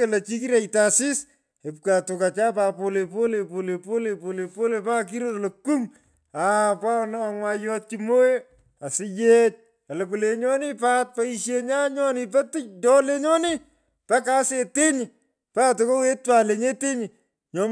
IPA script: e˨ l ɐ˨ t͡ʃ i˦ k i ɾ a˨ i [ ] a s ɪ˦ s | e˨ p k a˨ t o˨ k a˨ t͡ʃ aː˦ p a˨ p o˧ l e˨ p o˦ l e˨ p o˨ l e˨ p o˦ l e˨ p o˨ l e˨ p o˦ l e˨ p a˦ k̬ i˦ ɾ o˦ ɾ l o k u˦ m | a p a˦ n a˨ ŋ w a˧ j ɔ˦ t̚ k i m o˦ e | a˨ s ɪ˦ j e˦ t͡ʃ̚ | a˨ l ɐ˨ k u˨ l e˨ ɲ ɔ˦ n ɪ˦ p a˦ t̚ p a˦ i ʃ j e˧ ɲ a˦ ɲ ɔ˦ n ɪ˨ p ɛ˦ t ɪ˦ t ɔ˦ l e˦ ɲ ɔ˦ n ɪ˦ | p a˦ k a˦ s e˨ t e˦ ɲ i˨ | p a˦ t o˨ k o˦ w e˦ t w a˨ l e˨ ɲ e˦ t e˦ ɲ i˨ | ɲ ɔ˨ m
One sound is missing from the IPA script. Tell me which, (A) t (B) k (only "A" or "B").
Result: A